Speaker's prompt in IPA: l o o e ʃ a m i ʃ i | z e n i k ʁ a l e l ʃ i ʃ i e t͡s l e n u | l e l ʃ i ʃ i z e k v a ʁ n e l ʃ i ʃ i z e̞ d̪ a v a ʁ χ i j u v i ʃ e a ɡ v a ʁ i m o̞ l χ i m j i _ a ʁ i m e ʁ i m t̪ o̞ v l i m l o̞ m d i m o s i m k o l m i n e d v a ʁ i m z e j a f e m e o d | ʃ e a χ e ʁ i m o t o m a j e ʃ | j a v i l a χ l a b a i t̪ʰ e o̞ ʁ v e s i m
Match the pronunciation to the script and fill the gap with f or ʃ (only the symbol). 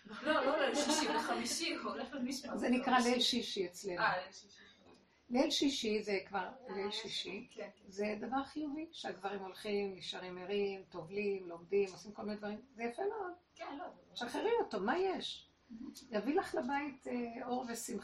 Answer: ʃ